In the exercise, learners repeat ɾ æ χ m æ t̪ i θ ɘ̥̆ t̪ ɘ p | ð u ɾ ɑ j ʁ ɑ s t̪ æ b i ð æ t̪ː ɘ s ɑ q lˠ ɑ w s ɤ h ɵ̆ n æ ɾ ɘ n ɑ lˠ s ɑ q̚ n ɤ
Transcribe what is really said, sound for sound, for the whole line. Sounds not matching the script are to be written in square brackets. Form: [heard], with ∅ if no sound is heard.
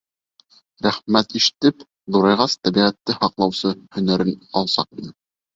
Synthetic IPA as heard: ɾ æ χ m æ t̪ i [ʃ] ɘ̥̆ t̪ ɘ p | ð u ɾ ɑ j ʁ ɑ s t̪ æ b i [ʁ] æ t̪ː ɘ [h] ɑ q lˠ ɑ w s ɤ h ɵ̆ n æ ɾ ɘ n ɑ lˠ s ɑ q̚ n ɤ